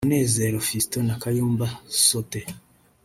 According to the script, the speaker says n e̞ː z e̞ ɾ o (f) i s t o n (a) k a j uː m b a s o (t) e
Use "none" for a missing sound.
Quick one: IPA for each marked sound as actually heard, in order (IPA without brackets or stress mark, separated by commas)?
f, a, t